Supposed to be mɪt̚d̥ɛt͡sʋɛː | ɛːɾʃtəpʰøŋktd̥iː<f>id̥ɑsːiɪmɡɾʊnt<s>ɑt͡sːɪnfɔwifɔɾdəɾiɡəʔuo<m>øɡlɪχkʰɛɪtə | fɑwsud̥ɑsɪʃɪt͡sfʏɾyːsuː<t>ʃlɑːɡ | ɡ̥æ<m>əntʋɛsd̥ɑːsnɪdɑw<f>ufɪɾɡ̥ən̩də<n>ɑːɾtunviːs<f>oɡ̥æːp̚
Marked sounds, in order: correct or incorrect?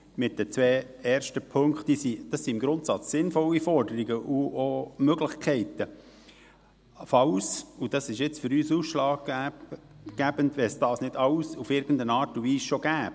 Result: incorrect: s, correct, correct, incorrect: s, incorrect: b, incorrect: s, correct, incorrect: ʃ

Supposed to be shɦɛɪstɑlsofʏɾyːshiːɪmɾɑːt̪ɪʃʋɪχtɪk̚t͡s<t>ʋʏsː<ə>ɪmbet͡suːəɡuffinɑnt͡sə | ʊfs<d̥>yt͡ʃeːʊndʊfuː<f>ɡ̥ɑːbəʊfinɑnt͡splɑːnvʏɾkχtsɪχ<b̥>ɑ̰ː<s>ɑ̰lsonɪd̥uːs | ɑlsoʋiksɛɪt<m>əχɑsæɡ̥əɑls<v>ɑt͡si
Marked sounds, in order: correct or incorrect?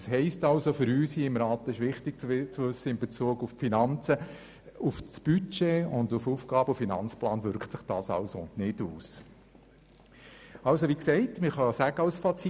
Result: incorrect: t͡s, correct, incorrect: b̥, correct, incorrect: d̥, correct, correct, incorrect: f

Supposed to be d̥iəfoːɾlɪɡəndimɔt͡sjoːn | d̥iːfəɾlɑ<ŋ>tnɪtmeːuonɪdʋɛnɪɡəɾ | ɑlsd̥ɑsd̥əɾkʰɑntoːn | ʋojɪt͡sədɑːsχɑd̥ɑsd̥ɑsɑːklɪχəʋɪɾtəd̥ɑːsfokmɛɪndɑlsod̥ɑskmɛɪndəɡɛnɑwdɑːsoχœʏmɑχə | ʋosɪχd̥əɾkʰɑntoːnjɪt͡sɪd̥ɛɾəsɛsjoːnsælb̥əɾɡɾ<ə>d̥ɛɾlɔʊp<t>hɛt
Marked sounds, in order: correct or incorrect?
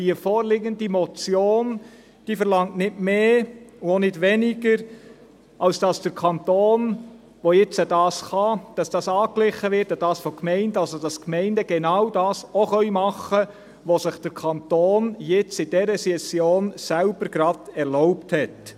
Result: correct, incorrect: ɑ, correct

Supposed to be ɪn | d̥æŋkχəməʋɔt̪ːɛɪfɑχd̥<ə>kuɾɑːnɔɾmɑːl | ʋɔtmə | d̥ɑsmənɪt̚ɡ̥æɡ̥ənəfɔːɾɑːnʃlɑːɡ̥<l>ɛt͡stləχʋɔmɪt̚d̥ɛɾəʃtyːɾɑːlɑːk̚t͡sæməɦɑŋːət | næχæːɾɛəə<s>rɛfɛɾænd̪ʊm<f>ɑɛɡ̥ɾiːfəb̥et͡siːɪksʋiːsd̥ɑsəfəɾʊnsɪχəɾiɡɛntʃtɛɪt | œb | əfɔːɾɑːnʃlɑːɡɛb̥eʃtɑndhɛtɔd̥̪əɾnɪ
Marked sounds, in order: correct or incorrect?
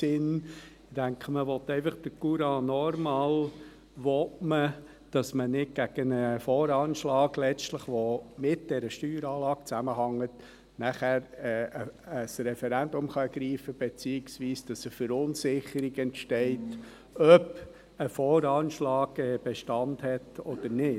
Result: correct, correct, correct, incorrect: χ

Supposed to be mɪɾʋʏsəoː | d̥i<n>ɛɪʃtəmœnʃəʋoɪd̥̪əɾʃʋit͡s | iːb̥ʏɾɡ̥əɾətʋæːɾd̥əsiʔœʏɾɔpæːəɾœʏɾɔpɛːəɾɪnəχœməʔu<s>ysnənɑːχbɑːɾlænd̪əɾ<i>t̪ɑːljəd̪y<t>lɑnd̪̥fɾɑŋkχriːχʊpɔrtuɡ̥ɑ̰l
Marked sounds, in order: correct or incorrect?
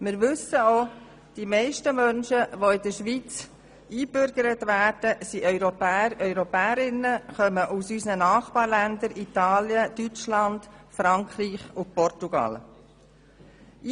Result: incorrect: m, correct, correct, incorrect: t͡ʃ

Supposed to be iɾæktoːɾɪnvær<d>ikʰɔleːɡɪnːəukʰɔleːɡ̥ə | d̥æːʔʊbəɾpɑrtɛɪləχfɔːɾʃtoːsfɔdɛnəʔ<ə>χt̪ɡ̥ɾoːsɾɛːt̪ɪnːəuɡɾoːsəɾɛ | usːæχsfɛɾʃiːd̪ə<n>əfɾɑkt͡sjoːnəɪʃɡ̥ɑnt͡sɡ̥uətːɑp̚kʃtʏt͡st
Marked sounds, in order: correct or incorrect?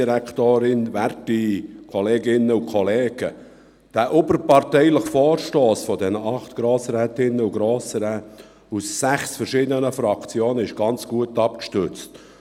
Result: incorrect: t, incorrect: ɑ, correct

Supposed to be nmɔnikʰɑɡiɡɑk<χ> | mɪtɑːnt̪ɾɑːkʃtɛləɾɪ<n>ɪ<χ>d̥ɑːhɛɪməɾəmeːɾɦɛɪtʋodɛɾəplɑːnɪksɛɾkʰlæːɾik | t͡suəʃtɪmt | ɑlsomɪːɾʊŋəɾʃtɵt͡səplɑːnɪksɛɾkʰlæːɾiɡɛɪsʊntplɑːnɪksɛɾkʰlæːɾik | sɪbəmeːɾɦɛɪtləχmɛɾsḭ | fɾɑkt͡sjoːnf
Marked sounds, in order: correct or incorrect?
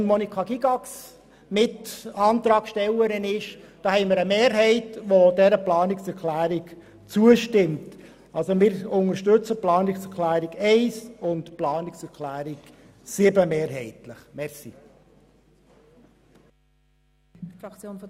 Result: incorrect: s, correct, incorrect: ʃ

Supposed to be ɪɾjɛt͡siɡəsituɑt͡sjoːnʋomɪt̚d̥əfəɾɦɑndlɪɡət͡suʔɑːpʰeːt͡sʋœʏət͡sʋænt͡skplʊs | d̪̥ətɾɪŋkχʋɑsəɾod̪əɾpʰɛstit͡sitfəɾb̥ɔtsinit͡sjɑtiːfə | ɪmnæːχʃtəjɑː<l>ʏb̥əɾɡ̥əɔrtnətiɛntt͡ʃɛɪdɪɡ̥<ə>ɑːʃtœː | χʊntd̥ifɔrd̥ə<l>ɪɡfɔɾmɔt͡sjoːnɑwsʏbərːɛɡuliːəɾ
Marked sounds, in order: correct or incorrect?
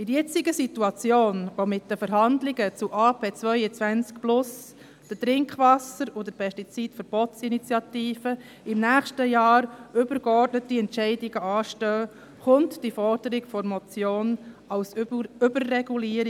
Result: incorrect: ɾ, correct, incorrect: ɾ

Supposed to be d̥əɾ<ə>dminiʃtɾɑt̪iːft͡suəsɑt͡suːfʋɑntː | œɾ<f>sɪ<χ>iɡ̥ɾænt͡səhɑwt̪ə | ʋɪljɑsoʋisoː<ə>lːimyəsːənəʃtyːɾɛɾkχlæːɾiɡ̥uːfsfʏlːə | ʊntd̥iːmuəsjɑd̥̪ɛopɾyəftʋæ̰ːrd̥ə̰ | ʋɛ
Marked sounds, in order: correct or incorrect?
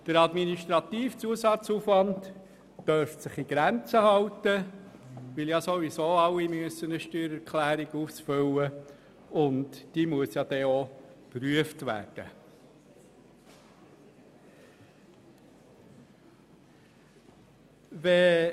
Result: incorrect: ɑ, correct, correct, incorrect: ɑ

